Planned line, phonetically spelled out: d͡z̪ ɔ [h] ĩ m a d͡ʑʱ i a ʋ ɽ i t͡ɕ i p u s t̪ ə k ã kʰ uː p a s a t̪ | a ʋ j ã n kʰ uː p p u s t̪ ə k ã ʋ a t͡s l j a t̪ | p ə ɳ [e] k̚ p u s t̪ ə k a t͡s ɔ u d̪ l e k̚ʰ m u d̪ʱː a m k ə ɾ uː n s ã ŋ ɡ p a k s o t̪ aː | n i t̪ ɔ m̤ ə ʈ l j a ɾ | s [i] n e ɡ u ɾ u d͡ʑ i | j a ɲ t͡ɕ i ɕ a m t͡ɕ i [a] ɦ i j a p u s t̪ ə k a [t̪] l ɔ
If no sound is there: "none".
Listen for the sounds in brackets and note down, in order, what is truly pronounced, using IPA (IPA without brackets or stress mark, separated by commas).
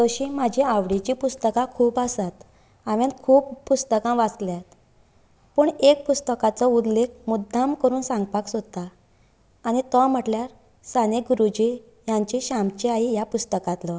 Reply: ɕ, e, a, a, t̪